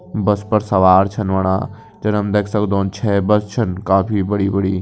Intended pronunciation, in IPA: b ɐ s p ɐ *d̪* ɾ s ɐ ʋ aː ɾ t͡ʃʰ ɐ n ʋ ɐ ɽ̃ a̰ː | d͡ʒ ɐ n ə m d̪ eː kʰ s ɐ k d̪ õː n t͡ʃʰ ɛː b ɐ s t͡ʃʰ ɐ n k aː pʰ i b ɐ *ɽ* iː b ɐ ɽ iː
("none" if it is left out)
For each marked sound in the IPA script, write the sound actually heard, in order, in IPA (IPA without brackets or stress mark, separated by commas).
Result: none, ɽ